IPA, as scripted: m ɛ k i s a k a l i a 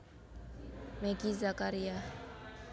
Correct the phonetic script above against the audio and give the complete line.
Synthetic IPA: m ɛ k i z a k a ɾ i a